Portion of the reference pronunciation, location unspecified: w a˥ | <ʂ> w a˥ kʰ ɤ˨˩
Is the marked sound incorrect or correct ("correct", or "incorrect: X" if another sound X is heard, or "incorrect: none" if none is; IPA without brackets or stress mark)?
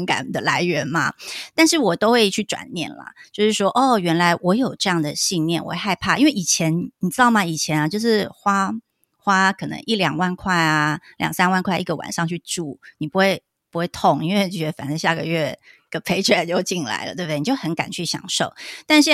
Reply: incorrect: x